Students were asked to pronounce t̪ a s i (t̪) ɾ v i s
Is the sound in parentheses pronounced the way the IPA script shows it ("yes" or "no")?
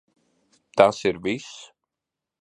no